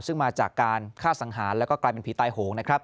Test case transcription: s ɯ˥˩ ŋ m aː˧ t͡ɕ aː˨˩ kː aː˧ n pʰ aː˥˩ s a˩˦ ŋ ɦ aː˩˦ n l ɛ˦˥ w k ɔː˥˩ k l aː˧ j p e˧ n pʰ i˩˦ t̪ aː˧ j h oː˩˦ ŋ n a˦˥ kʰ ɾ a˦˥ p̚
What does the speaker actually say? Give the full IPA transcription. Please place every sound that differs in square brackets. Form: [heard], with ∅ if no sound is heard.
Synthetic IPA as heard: s ɯ˥˩ ŋ m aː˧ t͡ɕ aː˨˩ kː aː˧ n [kʰ] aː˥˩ s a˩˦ ŋ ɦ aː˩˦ n l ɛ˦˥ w k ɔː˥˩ k l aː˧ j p e˧ n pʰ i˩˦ t̪ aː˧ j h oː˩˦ ŋ n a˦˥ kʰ ɾ a˦˥ p̚